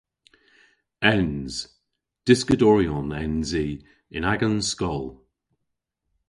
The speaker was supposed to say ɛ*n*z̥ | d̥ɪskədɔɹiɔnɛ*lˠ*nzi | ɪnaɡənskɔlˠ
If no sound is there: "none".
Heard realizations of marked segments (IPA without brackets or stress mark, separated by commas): n, none